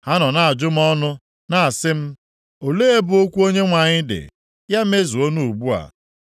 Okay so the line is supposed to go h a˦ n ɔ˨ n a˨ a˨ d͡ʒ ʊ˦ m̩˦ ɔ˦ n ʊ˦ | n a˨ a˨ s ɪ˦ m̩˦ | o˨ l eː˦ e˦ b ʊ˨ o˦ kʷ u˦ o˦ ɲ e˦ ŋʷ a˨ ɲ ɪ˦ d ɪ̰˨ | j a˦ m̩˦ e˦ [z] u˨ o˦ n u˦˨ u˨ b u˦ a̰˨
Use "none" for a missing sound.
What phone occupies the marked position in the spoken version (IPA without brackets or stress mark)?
z